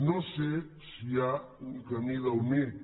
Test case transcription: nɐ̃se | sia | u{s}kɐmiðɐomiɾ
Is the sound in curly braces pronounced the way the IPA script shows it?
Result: no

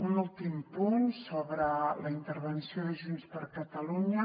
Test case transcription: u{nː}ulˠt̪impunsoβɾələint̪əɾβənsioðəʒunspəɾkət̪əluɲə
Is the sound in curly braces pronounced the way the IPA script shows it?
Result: no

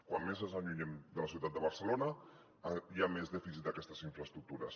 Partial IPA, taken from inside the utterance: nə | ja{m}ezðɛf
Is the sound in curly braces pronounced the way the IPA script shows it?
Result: yes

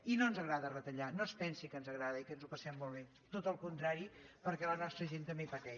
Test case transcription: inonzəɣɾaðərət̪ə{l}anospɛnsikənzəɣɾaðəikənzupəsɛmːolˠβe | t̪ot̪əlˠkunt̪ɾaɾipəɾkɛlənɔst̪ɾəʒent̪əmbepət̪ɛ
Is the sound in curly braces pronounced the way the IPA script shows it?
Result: no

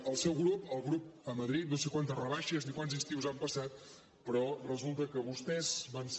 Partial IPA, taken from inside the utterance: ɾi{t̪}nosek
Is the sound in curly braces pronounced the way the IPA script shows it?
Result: yes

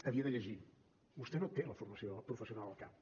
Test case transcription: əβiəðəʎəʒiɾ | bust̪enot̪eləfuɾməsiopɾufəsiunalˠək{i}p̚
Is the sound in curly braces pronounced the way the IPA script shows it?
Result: no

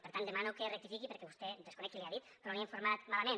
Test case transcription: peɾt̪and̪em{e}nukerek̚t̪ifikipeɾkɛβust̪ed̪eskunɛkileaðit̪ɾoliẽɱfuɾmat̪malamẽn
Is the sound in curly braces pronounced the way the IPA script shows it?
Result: no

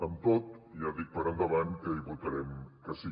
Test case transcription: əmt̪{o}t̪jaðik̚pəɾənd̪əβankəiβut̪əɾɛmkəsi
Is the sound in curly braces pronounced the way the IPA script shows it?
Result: yes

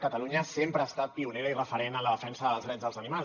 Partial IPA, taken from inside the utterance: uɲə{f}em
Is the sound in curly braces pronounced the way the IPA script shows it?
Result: no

